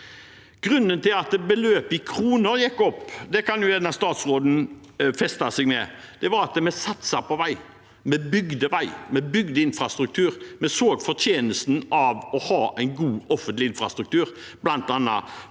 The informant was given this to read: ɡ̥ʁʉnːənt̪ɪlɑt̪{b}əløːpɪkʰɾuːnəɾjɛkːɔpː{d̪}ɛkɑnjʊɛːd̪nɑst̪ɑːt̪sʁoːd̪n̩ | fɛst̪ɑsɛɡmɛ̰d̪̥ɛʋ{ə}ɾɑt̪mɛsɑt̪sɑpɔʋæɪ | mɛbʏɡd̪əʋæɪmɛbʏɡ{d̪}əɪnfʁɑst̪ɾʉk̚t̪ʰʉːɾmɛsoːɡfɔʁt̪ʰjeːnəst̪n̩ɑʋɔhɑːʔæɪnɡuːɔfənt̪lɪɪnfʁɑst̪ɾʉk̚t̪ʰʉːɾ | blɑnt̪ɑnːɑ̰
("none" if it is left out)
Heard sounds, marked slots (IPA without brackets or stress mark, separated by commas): b, d̪, ɑ, d̪